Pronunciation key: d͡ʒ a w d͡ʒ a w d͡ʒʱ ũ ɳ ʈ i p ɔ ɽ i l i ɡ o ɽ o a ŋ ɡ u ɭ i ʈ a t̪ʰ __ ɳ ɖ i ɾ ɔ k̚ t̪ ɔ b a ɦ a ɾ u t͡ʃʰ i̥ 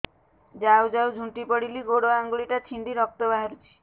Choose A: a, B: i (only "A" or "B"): B